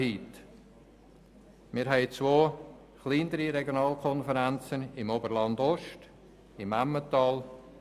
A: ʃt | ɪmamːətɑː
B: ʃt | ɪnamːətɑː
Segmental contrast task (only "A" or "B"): A